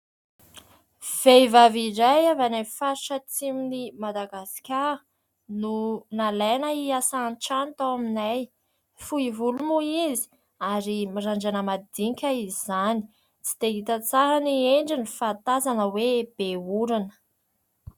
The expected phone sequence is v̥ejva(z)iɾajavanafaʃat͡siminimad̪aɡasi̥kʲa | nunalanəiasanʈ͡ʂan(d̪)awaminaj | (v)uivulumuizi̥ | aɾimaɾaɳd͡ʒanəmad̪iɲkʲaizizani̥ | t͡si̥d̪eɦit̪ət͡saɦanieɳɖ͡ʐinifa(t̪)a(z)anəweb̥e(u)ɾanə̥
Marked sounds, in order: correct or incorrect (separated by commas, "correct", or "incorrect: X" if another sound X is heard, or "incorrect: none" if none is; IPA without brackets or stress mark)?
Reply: incorrect: v, incorrect: t̪, incorrect: f, correct, correct, correct